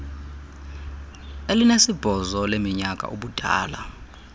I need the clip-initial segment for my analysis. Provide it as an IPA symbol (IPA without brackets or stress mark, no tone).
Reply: e